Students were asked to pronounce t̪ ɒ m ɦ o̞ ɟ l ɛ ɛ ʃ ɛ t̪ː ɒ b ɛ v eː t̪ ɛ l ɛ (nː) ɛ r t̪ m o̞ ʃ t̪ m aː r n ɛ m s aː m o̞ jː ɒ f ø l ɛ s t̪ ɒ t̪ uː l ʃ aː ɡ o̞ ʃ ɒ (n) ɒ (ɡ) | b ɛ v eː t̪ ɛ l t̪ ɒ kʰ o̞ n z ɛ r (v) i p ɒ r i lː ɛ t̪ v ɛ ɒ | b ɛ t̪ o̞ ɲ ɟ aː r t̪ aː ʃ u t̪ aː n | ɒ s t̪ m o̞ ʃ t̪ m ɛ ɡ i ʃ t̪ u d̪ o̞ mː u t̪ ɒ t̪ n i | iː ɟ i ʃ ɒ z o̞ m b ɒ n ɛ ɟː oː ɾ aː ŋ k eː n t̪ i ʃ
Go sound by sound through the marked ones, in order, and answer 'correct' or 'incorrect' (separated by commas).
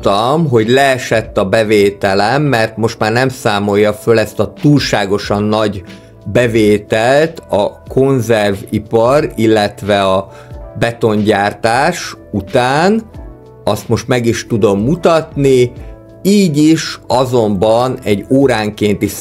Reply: incorrect, incorrect, incorrect, correct